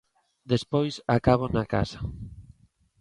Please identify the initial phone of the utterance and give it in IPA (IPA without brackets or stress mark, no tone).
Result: d̪